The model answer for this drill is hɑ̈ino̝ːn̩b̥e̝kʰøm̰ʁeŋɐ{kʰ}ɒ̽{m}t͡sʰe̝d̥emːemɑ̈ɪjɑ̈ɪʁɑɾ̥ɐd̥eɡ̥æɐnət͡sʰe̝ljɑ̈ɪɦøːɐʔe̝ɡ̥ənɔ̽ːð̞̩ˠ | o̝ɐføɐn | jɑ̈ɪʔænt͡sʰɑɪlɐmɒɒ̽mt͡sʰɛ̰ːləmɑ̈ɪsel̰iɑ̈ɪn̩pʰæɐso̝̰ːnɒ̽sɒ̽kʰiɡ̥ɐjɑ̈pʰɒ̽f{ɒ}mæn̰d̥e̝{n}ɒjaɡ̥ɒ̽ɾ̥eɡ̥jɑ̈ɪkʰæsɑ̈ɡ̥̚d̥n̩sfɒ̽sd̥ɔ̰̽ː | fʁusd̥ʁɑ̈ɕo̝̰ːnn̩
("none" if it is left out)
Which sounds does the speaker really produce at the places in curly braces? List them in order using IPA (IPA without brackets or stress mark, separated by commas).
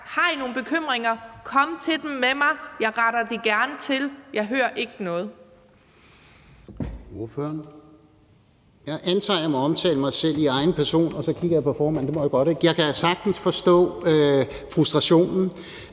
kʰ, m, ɒː, m